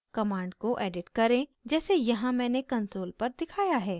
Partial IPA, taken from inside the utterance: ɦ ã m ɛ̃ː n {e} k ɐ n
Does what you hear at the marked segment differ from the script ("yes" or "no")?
no